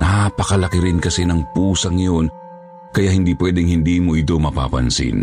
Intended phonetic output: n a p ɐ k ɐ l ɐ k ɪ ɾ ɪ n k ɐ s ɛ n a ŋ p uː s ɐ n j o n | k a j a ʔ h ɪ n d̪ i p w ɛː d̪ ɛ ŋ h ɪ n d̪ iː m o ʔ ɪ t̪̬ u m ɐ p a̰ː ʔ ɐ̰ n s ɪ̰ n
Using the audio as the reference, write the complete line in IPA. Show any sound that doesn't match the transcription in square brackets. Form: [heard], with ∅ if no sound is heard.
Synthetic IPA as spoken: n a p ɐ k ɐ l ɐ k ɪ ɾ ɪ n k ɐ s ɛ n [ɐ] ŋ p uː s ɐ [ŋ] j o n | k [ɐ] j a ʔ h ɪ n d̪ i p w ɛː d̪ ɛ ŋ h ɪ n d̪ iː m o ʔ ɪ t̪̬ [o] m ɐ p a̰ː [p] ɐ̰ n s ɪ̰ n